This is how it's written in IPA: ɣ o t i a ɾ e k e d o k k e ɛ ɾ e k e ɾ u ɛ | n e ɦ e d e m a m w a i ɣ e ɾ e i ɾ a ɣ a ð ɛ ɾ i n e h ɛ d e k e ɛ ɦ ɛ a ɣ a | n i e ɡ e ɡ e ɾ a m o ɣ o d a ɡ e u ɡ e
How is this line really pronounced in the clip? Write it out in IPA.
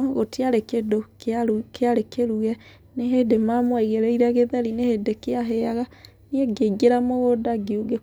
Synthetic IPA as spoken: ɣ o t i a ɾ e k e d o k k e a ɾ e k e ɾ u ɛ | n e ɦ e d e m a m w a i ɣ e ɾ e i ɾ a ɣ e ð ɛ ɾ i n e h e d e k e a ɦ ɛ a ɣ a | n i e ɡ e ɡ e ɾ a m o ɣ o d a ɡ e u ɡ e